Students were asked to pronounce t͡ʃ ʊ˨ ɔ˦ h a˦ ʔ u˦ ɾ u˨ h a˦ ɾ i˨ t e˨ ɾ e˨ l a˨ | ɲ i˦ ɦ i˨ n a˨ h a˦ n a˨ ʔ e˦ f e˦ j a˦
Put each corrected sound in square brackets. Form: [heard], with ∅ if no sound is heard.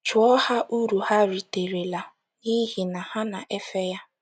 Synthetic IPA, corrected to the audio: t͡ʃ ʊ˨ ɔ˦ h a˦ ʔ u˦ ɾ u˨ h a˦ ɾ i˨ t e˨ ɾ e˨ l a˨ | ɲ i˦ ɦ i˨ n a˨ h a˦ n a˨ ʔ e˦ f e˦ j a˦